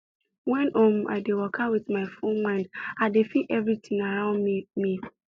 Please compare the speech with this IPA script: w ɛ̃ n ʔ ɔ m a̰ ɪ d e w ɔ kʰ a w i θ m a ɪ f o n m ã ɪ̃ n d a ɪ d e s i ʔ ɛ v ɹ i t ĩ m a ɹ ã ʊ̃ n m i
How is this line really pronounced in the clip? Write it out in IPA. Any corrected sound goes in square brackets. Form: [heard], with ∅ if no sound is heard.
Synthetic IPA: w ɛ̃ n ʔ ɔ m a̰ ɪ d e w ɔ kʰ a w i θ m a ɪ f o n m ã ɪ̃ n d a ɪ d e [f] i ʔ ɛ v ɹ i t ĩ [ŋ] a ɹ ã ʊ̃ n m i